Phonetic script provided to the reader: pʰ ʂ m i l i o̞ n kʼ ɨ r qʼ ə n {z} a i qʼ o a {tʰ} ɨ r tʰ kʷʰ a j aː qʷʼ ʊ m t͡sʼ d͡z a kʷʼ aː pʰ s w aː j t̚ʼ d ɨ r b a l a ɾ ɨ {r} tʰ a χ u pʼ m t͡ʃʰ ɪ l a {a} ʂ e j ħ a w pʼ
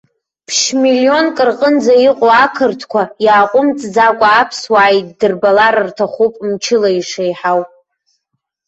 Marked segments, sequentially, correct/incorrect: incorrect, incorrect, correct, incorrect

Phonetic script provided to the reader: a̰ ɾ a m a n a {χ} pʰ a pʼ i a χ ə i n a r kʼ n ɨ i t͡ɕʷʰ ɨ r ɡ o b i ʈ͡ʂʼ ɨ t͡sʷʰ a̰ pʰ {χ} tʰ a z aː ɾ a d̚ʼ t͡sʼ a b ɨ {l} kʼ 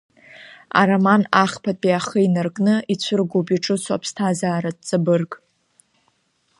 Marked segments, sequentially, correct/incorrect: correct, incorrect, incorrect

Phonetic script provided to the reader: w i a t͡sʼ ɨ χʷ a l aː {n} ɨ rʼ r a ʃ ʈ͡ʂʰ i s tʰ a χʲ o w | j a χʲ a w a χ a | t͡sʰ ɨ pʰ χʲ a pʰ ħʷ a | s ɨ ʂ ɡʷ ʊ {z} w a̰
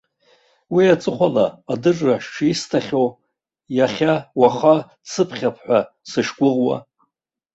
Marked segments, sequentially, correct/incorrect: incorrect, incorrect

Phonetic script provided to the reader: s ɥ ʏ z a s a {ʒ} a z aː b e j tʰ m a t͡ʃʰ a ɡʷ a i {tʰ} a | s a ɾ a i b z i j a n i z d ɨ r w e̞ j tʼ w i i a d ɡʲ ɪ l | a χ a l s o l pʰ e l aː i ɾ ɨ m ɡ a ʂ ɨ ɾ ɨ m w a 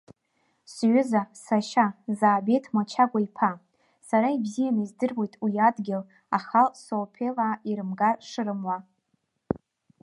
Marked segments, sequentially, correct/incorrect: incorrect, incorrect

